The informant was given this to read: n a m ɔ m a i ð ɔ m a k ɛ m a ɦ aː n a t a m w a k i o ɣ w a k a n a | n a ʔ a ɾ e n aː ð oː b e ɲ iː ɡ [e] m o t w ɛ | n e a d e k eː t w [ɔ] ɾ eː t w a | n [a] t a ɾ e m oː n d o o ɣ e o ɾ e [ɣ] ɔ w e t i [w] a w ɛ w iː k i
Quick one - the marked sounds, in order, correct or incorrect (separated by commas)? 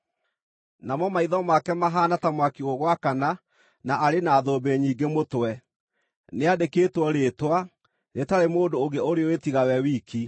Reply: correct, correct, incorrect, incorrect, incorrect